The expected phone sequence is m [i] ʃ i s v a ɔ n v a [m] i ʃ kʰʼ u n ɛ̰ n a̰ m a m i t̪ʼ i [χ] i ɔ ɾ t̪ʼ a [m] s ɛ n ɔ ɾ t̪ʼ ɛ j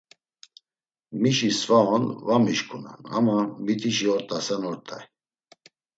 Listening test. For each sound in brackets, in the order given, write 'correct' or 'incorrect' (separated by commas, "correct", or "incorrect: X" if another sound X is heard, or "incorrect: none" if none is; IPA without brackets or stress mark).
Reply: correct, correct, incorrect: ʃ, incorrect: none